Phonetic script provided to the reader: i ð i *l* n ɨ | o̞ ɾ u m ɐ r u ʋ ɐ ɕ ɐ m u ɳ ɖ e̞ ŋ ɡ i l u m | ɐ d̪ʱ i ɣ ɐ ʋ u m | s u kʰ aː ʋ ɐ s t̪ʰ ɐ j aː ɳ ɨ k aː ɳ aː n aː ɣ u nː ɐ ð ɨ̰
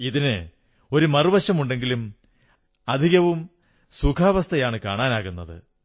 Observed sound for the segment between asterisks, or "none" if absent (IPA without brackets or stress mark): none